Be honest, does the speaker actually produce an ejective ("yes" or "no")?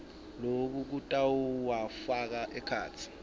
yes